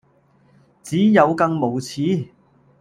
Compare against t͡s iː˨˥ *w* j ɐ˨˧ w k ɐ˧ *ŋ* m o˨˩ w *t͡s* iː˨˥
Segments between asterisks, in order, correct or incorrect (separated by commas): incorrect, correct, incorrect